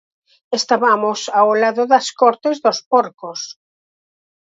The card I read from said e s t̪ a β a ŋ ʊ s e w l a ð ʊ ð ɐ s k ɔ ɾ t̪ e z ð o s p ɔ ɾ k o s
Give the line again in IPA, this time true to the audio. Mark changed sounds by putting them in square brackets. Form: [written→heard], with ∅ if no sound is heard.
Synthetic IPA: e s t̪ a β a [ŋ→m] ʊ s [e→a] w l a ð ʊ ð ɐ s k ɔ ɾ t̪ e z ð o s p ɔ ɾ k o s